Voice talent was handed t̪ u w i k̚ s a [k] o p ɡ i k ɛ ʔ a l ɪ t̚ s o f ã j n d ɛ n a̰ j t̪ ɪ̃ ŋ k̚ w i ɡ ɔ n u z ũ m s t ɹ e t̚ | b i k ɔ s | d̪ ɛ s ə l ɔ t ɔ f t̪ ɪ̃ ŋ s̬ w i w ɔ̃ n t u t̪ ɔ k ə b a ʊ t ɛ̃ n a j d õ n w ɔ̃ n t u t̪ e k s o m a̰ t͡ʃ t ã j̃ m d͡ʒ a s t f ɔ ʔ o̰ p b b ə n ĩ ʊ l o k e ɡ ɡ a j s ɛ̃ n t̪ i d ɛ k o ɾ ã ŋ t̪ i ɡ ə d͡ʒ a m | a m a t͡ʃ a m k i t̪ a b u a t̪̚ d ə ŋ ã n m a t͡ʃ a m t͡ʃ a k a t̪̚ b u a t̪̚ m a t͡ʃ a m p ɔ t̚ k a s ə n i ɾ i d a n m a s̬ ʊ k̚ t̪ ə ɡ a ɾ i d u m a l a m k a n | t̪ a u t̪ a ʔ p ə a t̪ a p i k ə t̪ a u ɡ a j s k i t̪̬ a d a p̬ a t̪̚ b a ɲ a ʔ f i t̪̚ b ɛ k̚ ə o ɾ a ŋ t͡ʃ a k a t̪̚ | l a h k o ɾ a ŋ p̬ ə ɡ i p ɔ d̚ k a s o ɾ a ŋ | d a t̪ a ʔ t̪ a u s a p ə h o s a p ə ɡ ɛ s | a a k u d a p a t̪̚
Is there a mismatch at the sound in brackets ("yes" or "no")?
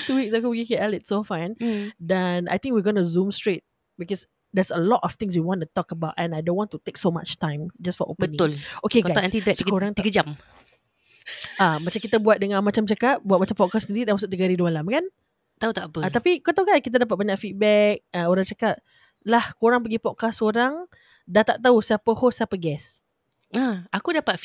no